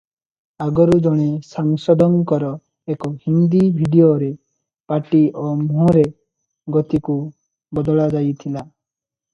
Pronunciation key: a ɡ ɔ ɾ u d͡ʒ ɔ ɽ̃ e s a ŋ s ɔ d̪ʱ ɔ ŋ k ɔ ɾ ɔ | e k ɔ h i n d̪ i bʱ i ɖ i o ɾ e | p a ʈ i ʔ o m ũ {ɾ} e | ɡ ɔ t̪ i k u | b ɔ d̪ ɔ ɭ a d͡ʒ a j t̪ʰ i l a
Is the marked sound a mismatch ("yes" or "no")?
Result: no